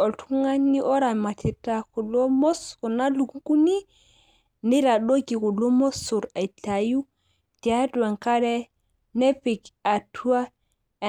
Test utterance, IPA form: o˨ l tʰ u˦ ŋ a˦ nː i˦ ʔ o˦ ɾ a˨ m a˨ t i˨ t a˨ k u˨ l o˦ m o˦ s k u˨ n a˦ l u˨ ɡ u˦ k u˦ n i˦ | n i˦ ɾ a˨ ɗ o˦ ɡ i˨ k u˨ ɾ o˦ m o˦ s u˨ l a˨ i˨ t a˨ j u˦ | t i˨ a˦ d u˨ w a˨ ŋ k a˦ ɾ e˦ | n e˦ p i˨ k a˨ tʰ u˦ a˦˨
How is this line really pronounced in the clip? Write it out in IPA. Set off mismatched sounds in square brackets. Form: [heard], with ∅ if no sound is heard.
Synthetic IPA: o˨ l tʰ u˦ ŋ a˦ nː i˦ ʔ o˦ ɾ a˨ m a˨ t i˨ t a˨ k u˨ l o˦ m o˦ s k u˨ n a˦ l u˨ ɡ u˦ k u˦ n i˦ | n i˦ ɾ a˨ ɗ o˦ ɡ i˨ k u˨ [l] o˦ m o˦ s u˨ [ɾ] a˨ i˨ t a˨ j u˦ | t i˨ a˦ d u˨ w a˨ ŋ k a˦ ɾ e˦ | n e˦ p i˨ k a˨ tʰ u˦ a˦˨